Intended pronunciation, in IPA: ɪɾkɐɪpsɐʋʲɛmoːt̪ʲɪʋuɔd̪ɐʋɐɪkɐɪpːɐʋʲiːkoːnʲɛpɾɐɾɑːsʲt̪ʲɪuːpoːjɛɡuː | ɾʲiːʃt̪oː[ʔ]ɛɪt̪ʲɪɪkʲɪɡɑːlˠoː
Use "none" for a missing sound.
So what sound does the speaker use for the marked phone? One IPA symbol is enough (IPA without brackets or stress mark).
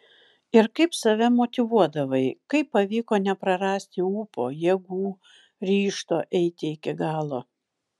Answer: ʔ